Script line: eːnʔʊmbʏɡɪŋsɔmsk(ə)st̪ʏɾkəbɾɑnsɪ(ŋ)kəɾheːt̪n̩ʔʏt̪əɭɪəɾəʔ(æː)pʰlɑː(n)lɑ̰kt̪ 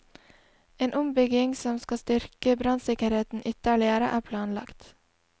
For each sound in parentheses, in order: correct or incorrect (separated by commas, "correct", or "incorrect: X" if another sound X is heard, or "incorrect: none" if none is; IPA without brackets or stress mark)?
incorrect: ɑ, incorrect: none, correct, correct